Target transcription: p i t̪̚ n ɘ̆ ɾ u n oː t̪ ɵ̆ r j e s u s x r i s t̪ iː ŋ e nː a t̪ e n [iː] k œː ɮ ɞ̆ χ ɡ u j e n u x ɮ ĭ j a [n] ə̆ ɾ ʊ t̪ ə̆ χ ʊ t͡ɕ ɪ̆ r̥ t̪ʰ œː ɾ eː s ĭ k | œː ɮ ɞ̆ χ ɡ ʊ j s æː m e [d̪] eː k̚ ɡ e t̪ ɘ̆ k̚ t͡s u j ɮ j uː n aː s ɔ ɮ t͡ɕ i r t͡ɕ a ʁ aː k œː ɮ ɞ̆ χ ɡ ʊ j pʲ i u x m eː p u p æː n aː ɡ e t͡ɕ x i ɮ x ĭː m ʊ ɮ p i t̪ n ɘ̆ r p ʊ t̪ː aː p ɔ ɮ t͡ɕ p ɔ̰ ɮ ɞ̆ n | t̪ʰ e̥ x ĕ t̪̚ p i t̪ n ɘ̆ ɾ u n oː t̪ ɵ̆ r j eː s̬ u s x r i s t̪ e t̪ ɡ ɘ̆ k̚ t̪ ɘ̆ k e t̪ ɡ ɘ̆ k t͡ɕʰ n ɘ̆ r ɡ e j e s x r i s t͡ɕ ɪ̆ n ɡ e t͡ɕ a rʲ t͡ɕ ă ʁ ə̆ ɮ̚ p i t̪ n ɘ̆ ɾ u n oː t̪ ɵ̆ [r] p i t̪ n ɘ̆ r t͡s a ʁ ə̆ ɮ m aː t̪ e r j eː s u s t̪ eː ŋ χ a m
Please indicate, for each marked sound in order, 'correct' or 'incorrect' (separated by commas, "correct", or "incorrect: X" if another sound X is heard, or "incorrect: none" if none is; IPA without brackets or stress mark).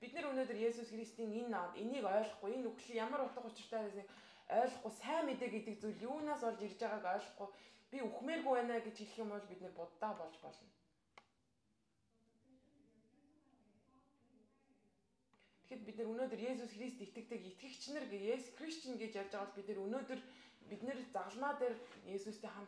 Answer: correct, incorrect: m, incorrect: t̪, correct